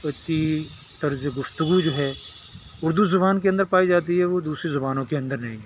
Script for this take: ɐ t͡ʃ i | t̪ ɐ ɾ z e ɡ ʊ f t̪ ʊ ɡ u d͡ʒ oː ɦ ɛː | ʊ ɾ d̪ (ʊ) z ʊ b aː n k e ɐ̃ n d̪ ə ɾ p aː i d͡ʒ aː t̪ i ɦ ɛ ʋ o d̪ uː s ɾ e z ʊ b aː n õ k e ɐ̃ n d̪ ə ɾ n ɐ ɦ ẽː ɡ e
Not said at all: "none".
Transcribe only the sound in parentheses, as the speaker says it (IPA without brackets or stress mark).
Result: u